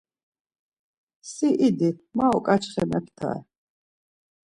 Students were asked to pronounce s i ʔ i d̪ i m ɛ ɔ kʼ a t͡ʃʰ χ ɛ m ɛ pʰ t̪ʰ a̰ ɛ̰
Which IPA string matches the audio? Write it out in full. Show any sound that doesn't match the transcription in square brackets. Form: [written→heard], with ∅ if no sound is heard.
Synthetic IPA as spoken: s i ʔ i d̪ i m [ɛ→a] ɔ kʼ a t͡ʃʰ χ ɛ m ɛ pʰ t̪ʰ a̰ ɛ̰